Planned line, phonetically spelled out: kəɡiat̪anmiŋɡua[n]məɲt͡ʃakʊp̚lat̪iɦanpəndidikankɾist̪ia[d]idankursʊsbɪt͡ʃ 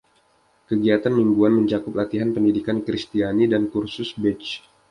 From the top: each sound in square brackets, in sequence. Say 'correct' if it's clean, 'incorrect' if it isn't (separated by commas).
correct, incorrect